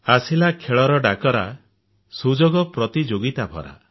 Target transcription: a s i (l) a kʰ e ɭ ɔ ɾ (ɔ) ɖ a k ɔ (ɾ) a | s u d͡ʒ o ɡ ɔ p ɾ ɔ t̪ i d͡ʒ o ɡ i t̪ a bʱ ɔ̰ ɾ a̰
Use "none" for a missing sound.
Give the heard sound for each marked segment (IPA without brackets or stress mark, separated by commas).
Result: l, ɔ, ɾ